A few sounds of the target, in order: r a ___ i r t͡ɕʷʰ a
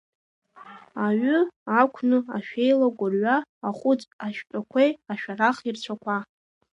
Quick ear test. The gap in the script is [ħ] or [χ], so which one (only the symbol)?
χ